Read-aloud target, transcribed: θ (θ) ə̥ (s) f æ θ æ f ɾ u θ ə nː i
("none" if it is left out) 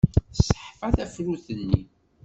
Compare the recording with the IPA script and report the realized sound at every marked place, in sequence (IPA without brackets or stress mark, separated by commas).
s, ħ